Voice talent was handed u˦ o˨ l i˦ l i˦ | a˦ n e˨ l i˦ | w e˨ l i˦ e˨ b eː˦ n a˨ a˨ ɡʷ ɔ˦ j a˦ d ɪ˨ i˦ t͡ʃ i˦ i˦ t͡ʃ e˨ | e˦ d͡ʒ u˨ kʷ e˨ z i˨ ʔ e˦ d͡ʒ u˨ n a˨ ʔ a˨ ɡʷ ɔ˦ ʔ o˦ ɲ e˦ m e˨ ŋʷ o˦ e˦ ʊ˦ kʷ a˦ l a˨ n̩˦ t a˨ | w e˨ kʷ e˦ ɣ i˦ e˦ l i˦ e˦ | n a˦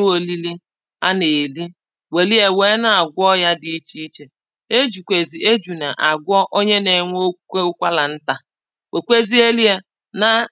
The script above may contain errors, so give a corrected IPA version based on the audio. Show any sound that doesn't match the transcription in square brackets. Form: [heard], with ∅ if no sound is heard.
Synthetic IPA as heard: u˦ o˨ l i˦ l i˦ | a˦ n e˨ l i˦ | w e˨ l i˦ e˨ [w] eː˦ n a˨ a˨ ɡʷ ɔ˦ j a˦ d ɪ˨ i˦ t͡ʃ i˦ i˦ t͡ʃ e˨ | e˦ d͡ʒ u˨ kʷ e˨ z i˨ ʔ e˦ d͡ʒ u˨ n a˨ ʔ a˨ ɡʷ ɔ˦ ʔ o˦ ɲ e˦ [n] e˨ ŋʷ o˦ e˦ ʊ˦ kʷ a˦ l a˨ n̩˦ t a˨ | w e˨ kʷ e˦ [z] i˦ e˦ l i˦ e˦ | n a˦